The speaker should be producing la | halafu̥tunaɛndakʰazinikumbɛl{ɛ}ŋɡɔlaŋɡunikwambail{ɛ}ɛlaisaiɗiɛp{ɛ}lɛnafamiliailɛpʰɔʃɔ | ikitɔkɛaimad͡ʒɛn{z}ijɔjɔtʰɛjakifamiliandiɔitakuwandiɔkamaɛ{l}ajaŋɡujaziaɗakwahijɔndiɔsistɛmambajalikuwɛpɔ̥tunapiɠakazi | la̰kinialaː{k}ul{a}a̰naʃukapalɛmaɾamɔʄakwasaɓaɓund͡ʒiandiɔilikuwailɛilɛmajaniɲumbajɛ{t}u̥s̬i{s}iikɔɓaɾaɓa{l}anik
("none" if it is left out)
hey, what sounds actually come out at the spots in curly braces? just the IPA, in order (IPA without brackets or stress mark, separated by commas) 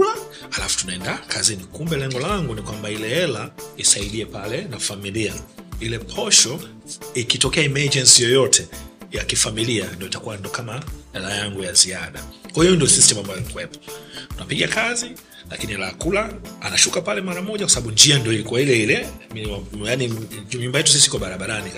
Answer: ɛ, ɛ, a, s, l, k, a, t, s, ɾ